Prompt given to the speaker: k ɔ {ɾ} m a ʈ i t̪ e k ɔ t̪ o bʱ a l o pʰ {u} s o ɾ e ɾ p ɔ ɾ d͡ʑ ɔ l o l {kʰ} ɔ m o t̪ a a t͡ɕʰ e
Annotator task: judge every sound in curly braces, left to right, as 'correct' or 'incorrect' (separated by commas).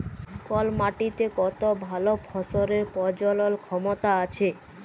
incorrect, incorrect, correct